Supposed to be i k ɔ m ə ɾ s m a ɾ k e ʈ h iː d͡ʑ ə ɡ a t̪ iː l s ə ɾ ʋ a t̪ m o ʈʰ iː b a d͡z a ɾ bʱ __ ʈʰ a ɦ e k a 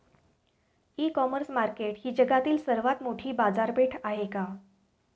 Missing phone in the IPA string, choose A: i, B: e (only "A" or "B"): B